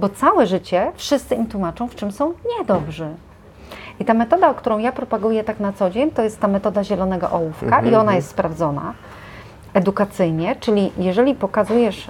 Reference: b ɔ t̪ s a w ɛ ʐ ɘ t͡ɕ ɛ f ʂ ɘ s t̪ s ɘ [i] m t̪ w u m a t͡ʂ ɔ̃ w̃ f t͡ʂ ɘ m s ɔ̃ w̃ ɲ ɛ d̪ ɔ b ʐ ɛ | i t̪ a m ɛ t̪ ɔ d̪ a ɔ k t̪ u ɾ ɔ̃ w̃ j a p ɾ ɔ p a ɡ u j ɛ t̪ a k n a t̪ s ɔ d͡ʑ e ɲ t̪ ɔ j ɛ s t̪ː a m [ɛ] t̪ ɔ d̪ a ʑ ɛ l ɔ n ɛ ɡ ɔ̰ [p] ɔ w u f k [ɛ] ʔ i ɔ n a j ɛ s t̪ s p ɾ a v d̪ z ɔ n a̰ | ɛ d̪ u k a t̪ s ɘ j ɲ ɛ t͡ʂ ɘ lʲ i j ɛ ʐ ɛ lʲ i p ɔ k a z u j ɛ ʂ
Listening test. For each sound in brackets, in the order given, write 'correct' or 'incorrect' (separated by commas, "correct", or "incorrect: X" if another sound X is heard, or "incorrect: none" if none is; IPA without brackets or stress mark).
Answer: correct, correct, incorrect: ʔ, incorrect: a